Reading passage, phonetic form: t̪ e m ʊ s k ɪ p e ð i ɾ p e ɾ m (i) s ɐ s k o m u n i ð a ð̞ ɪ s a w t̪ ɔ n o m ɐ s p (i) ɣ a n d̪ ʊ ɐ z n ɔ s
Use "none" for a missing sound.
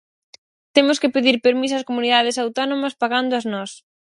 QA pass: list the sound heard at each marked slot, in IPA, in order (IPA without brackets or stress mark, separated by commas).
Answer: i, a